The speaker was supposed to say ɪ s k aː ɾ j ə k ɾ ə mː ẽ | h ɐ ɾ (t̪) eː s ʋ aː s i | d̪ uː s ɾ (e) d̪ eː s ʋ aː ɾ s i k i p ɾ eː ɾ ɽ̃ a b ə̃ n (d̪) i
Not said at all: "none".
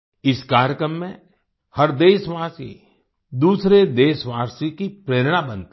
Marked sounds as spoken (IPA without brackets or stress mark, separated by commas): d̪, e, t̪